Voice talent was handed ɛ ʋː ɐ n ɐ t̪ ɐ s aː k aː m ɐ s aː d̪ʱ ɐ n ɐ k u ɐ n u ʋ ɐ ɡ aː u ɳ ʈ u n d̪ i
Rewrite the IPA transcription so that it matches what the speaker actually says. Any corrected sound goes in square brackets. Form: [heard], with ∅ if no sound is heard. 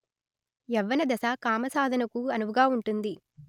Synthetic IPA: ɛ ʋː ɐ n ɐ [d̪] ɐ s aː k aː m ɐ s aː d̪ʱ ɐ n ɐ k u ɐ n u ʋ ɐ ɡ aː u ɳ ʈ u n d̪ i